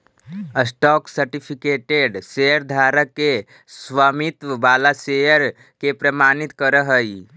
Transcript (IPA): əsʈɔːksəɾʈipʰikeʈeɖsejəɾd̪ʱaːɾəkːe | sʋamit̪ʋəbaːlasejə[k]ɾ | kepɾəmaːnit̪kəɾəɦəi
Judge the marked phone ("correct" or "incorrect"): incorrect